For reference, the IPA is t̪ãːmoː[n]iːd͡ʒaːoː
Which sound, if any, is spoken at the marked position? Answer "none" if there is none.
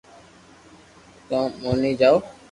n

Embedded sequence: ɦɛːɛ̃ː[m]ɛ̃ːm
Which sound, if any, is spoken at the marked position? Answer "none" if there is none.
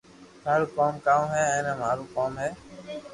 n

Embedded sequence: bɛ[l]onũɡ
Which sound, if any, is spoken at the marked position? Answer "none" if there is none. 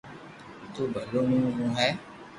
l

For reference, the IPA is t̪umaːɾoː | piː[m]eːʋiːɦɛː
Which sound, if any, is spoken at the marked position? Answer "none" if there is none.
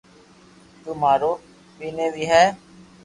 n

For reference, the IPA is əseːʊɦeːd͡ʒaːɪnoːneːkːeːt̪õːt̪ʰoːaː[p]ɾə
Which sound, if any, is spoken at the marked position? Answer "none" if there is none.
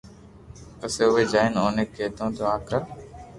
k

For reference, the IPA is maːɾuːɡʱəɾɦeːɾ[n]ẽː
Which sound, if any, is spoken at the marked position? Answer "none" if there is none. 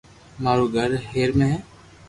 m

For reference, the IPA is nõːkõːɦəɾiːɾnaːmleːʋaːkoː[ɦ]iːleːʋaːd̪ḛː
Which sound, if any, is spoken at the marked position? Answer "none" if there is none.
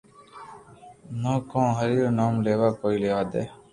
none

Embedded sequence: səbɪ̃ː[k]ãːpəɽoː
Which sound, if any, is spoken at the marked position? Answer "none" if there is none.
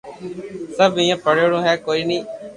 none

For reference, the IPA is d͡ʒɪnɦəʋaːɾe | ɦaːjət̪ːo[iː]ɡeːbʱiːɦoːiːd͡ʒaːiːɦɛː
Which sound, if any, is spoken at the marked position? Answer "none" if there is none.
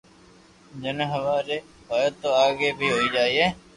aː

